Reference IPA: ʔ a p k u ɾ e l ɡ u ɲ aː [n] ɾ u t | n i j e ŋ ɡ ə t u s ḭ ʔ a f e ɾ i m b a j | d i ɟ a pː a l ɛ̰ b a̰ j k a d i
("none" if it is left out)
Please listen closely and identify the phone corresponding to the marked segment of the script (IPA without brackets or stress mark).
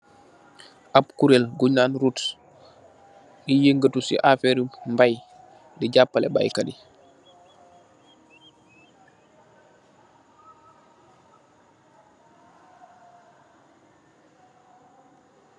n